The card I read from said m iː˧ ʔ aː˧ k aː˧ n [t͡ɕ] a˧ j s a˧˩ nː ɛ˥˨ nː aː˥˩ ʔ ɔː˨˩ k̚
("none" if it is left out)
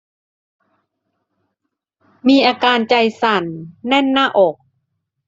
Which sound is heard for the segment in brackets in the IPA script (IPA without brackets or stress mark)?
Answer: t͡ɕ